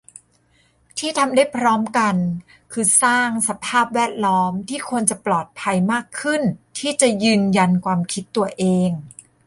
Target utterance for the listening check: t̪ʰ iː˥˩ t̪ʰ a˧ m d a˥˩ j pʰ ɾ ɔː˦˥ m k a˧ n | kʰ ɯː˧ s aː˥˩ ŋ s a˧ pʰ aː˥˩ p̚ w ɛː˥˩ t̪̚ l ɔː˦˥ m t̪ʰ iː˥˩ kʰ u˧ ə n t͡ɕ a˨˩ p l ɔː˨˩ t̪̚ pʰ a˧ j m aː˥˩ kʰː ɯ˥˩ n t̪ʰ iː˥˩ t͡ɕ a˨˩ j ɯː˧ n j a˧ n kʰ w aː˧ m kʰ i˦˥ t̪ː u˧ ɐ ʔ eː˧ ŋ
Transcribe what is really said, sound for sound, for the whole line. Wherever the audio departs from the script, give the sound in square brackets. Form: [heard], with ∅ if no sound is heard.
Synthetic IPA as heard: t̪ʰ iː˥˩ t̪ʰ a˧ m d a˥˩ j pʰ ɾ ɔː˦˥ m k a˧ n | kʰ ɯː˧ s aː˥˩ ŋ s a˧ pʰ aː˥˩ p̚ w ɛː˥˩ t̪̚ l ɔː˦˥ m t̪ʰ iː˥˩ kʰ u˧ ə n t͡ɕ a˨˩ p l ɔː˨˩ t̪̚ pʰ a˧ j m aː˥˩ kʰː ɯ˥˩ n t̪ʰ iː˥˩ t͡ɕ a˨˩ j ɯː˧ n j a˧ n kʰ w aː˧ m kʰ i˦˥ t̪ː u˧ ɐ ʔ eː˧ ŋ